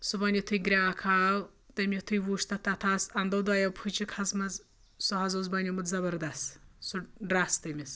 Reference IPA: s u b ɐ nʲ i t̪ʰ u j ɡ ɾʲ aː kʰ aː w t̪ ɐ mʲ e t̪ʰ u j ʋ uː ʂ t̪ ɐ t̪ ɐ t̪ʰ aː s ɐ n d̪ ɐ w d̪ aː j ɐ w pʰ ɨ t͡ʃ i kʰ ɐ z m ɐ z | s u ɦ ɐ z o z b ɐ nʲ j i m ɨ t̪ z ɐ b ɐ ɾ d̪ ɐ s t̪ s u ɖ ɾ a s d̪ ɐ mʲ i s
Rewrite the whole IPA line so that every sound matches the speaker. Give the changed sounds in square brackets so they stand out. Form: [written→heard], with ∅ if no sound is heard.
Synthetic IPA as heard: s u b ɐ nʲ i t̪ʰ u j ɡ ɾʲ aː kʰ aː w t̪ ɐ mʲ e t̪ʰ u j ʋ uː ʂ t̪ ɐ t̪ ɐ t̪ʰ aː s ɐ n d̪ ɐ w d̪ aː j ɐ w pʰ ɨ t͡ʃ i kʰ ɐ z m ɐ z | s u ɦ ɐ z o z b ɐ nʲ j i m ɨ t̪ z ɐ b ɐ ɾ d̪ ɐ s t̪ s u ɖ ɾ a s [d̪→t̪] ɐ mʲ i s